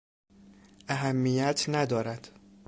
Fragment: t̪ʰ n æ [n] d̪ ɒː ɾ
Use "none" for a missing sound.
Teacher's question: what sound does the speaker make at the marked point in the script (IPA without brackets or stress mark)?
none